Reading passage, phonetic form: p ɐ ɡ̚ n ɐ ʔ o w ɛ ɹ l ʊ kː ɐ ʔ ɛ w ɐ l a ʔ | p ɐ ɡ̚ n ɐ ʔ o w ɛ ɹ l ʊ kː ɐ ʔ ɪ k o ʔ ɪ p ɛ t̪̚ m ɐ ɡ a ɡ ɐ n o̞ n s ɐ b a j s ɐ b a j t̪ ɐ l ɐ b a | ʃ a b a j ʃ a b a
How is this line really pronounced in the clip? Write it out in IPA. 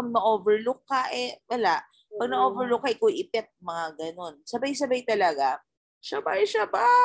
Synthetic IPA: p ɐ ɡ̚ n ɐ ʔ o v ɛ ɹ l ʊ kː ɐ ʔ ɛ w ɐ l a ʔ | p ɐ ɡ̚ n ɐ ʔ o v ɛ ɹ l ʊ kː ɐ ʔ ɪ k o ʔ ɪ p ɛ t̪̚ m ɐ ŋ a ɡ ɐ n o̞ n s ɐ b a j s ɐ b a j t̪ ɐ l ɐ ɡ a | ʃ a b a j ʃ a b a